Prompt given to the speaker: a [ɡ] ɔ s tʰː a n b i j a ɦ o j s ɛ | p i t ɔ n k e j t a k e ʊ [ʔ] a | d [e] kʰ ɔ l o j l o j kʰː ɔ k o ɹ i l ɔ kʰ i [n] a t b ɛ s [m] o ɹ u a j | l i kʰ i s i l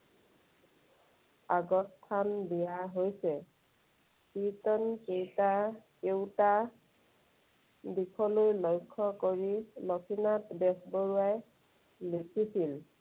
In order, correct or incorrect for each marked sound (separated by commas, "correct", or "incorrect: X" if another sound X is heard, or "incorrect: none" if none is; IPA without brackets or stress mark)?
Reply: correct, incorrect: t, incorrect: i, correct, incorrect: b